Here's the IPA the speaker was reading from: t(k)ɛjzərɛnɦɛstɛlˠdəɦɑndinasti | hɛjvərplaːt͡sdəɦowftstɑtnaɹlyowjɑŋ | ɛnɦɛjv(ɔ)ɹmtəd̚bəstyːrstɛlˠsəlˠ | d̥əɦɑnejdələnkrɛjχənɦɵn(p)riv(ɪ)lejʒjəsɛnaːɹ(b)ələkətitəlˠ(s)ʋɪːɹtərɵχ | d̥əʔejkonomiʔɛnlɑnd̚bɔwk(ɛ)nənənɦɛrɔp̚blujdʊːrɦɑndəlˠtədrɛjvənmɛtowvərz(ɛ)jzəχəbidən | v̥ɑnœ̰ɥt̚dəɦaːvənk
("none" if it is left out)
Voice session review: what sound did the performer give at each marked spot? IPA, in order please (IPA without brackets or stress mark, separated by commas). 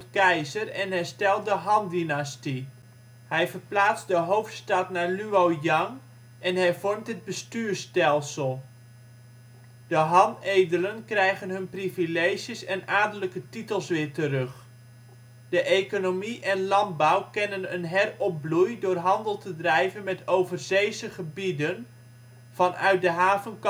k, ɔ, p, i, d, s, ɛ, e